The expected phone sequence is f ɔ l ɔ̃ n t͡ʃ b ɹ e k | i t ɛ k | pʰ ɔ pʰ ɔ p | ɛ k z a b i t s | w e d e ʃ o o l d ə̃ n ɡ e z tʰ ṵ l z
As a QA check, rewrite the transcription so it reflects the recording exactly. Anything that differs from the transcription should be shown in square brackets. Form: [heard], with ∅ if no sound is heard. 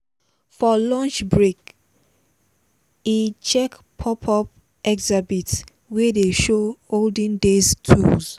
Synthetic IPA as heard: f ɔ l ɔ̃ n t͡ʃ b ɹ e k | i [t͡ʃ] ɛ k | pʰ ɔ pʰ ɔ p | ɛ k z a b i t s | w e d e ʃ o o l d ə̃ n [d] e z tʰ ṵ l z

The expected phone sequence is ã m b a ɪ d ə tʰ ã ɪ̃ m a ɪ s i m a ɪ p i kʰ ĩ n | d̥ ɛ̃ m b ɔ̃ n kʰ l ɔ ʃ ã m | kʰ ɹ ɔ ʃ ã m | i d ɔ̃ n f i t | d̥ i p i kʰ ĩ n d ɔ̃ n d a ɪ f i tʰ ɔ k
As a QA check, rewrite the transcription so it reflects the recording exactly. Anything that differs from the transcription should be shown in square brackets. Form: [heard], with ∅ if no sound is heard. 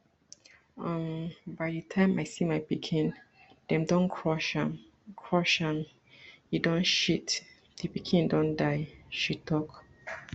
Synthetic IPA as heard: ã m b a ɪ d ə tʰ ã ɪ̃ m a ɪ s i m a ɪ p i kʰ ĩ n | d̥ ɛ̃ m [d] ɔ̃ n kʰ [ɹ] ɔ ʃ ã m | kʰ ɹ ɔ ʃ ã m | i d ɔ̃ n [ʃ] i t | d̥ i p i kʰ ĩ n d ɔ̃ n d a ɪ [ʃ] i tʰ ɔ k

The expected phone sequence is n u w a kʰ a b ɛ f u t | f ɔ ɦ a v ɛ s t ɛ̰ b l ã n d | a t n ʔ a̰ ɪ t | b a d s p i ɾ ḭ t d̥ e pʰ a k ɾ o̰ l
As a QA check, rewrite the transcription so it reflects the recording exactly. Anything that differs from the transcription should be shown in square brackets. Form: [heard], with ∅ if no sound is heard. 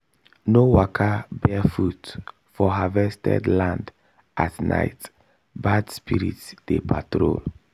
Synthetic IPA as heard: n [o] w a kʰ a b ɛ f u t | f ɔ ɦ a v ɛ s t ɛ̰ [d] l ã n d | a t n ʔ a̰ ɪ t | b a d s p i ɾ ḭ t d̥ e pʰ a [t] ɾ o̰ l

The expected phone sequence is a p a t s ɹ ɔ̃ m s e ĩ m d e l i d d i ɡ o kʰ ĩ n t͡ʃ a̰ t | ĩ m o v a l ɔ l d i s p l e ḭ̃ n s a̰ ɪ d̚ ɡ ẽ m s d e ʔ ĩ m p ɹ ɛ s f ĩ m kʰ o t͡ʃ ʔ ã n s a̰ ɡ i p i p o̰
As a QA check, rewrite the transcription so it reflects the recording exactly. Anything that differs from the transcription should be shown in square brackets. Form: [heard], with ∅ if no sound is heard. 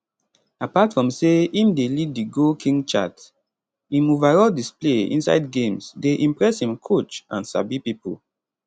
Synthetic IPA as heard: a p a t [f] ɹ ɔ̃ m s e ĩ m d e l i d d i ɡ o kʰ ĩ [ŋ] t͡ʃ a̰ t | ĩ m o v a [ɹ] ɔ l d i s p l e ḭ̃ n s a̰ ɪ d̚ ɡ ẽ m s d e ʔ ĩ m p ɹ ɛ s [h] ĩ m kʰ o t͡ʃ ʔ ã n s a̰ [b] i p i p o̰

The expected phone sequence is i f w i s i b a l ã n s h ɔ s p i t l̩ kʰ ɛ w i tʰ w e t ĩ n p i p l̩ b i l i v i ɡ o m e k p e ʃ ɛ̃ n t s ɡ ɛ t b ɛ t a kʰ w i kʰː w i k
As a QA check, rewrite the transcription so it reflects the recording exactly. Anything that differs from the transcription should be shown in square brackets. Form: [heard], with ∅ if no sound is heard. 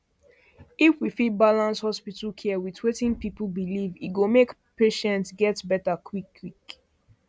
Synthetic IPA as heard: i f w i [f] i b a l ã n s h ɔ s p i t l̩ kʰ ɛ w i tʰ w e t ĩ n p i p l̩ b i l i v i ɡ o m e k p e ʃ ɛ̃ n t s ɡ ɛ t b ɛ t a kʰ w i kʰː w i k

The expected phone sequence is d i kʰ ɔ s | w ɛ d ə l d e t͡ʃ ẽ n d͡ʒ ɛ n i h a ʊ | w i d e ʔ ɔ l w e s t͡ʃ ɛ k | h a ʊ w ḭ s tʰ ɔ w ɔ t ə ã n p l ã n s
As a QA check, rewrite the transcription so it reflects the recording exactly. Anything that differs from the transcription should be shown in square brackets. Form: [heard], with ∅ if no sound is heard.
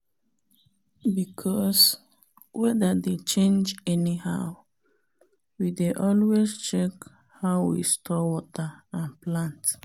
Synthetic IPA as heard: [b] i kʰ ɔ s | w ɛ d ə [∅] d e t͡ʃ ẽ n d͡ʒ ɛ n i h a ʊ | w i d e ʔ ɔ l w e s t͡ʃ ɛ k | h a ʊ w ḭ s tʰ ɔ w ɔ t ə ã n p l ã n [t]

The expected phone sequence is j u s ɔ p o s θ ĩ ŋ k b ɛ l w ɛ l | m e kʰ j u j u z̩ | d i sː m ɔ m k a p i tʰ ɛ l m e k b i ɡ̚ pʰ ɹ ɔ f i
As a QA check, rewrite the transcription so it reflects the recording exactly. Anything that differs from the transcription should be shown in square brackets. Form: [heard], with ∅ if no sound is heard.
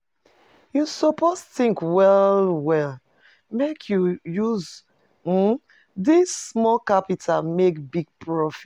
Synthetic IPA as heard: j u s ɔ p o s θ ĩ ŋ k [w] ɛ l w ɛ l | m e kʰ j u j u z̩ | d i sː m ɔ [∅] k a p i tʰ [a] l m e k b i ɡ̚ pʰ ɹ ɔ f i

